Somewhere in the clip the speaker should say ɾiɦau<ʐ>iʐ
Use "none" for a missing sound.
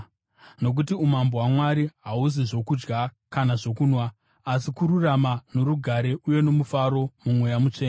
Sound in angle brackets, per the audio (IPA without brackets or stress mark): z